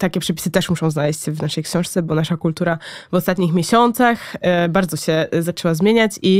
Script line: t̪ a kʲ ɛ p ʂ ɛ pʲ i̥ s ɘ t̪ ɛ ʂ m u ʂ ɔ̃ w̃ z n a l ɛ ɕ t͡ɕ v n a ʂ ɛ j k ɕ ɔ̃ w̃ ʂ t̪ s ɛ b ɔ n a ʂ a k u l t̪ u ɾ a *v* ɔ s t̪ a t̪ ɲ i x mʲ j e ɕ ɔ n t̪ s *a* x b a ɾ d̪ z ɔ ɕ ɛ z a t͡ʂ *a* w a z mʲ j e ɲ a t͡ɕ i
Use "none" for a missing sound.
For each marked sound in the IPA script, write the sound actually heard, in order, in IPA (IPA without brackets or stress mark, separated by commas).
v, a, ɛ